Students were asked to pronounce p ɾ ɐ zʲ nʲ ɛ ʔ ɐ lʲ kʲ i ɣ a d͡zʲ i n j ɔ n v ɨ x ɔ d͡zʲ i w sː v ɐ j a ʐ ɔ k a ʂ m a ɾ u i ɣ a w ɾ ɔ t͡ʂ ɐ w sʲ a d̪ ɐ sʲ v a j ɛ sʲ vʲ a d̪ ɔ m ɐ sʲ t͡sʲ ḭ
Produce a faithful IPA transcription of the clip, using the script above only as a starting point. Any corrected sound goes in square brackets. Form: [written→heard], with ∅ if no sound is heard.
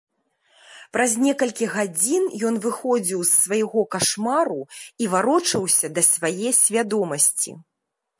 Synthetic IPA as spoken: p ɾ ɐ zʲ nʲ ɛ [ʔ→k] ɐ lʲ kʲ i ɣ a d͡zʲ i n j ɔ n v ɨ x ɔ d͡zʲ i w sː v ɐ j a [ʐ→ɣ] ɔ k a ʂ m a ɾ u i [ɣ→v] a [w→∅] ɾ ɔ t͡ʂ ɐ w sʲ [a→ɐ] d̪ ɐ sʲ v a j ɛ sʲ vʲ a d̪ ɔ m ɐ sʲ t͡sʲ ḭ